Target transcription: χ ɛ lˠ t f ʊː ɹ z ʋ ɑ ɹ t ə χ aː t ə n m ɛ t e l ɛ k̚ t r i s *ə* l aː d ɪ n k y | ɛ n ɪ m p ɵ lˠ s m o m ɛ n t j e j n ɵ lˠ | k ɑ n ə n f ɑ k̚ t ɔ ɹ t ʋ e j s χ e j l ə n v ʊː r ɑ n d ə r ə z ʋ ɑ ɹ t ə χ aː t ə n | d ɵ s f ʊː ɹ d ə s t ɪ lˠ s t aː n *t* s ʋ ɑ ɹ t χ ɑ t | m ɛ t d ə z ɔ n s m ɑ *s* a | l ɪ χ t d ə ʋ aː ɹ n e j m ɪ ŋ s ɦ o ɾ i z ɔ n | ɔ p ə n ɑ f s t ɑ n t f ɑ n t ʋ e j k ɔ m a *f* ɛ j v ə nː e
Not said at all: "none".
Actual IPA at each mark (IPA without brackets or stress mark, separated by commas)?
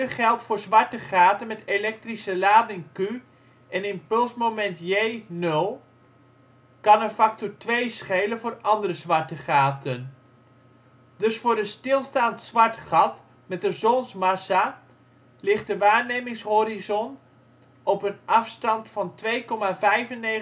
ə, t, s, v